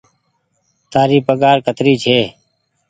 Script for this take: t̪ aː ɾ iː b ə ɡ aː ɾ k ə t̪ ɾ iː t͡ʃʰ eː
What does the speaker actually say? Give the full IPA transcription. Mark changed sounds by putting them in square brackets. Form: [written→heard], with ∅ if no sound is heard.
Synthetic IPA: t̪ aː ɾ iː [b→p] ə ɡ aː ɾ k ə t̪ ɾ iː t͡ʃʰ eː